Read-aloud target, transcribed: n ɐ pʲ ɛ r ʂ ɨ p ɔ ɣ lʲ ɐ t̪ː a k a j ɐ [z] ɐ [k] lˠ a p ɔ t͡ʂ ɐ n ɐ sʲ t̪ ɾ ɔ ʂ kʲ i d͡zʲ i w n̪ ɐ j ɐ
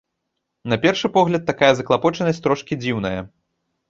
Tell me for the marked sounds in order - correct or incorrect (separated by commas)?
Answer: correct, correct